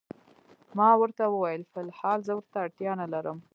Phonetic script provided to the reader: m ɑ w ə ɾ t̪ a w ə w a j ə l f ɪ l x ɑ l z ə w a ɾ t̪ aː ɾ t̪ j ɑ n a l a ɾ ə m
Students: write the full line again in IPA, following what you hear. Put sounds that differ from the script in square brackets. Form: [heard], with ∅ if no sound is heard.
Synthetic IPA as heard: m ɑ w ə ɾ t̪ a w ə w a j ə l f ɪ l [h] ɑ l z ə w [ə] ɾ t̪ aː [ɽ] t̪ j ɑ n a l a ɾ ə m